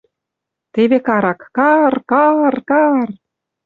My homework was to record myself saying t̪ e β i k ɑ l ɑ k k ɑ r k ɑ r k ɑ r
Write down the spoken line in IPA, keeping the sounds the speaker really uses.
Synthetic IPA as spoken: t̪ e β e k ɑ ɾ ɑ k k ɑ r k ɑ r k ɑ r

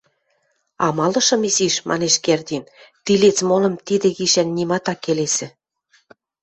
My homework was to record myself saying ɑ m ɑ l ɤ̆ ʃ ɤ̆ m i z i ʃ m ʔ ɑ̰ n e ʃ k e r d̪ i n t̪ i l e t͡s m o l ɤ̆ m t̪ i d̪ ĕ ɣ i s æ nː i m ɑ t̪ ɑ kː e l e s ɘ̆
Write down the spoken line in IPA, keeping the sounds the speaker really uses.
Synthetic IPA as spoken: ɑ m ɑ l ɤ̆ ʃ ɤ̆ m i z i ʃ m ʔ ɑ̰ n e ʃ k e r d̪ i n t̪ i l e t͡s m o l ɤ̆ m t̪ i d̪ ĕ ɣ i ʃ æ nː i m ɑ t̪ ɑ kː e l e s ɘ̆

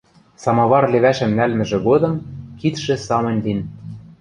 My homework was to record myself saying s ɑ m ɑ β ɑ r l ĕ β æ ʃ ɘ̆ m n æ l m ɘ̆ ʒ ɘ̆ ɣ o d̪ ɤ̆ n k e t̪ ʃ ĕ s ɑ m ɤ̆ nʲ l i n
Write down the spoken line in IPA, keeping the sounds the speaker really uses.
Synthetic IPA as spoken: s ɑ m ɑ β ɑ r l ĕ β æ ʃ ɘ̆ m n æ l m ɘ̆ ʒ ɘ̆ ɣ o d̪ ɤ̆ m k i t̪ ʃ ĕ s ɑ m ɤ̆ nʲ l i n

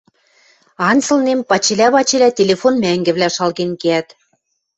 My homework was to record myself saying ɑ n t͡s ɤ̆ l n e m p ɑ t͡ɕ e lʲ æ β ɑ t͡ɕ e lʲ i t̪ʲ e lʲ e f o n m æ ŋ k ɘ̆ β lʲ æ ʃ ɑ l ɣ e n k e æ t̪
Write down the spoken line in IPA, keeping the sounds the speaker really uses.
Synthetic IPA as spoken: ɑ n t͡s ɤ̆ l n e m p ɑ t͡ɕ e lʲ æ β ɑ t͡ɕ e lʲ æ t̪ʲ e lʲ e f o n m æ ŋ ɡ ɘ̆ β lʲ æ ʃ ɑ l ɣ e n k e æ t̪

